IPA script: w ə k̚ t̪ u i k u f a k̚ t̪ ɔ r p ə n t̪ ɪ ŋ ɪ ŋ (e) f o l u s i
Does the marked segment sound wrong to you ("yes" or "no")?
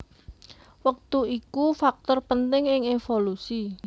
no